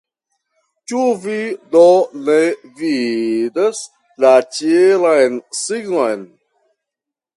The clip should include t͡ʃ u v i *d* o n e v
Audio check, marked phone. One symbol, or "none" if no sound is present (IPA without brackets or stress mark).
d